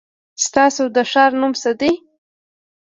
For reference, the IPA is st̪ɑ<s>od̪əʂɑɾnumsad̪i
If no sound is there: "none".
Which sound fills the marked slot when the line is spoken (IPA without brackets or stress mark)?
s